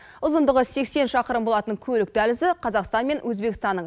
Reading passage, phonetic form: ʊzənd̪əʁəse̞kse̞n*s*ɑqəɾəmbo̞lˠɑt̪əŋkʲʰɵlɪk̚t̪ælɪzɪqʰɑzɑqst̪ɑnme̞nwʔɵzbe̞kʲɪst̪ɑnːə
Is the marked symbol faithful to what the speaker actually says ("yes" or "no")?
no